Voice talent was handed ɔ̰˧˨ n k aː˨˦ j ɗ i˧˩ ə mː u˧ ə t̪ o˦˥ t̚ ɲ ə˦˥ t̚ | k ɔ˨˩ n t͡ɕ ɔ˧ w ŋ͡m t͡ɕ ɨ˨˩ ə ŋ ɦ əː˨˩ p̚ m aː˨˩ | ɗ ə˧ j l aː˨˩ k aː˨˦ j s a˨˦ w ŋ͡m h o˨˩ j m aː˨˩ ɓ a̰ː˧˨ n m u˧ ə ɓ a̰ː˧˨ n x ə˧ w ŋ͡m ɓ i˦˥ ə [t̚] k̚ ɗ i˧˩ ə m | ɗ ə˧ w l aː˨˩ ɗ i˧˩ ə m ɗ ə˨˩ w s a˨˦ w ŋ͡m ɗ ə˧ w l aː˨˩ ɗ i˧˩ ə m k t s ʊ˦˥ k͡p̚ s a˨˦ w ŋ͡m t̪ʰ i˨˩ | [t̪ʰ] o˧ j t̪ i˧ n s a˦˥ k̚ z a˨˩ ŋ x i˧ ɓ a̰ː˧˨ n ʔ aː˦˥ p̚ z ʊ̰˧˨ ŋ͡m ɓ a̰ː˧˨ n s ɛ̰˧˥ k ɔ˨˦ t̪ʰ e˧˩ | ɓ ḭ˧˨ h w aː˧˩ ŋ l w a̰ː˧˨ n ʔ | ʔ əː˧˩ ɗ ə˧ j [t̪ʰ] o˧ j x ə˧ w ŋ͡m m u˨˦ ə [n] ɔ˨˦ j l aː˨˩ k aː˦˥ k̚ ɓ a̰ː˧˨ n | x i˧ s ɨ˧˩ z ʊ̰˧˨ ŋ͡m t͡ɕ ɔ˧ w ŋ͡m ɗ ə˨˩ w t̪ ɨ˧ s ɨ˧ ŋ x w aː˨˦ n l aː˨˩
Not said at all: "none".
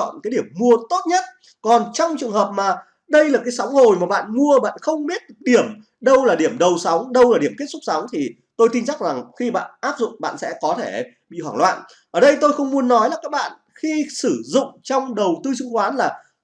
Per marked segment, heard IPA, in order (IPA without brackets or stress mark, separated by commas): t̚, t̪, t̪, nː